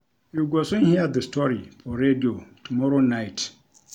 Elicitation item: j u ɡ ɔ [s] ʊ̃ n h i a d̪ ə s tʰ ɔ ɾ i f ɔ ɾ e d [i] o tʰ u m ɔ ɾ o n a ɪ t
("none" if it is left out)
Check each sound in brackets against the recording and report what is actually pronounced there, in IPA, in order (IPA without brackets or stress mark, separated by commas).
s, i